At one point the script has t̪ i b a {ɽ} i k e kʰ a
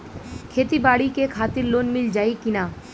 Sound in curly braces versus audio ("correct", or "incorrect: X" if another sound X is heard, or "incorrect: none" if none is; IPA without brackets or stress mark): correct